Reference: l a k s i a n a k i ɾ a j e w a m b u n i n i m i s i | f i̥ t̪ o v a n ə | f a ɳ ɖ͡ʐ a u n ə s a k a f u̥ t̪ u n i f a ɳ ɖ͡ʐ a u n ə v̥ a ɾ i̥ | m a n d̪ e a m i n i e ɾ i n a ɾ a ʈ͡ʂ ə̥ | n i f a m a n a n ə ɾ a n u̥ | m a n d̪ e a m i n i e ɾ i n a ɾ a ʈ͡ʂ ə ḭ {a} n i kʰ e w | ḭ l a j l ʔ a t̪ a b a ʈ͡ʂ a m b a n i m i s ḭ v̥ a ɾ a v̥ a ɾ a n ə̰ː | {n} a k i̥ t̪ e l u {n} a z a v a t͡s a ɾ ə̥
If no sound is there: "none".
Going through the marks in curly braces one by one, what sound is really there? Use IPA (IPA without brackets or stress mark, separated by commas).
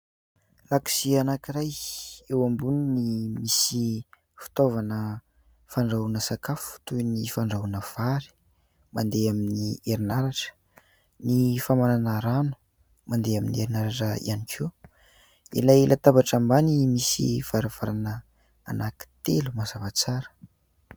a, n, m